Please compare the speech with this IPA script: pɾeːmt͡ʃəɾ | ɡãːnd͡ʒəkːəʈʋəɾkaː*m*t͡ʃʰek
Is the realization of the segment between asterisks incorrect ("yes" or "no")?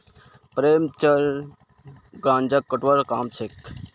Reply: no